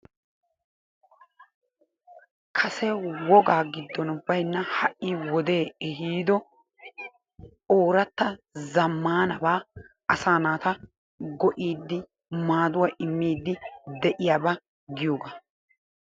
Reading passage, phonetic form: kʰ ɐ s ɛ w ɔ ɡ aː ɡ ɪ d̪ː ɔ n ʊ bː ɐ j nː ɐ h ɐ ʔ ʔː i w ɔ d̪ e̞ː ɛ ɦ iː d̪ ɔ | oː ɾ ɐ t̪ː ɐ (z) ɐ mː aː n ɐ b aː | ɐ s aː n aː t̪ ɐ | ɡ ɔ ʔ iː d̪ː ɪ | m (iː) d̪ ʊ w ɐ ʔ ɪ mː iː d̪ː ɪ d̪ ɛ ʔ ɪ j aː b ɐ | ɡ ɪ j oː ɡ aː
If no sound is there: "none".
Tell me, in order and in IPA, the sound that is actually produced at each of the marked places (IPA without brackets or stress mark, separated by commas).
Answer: z, aː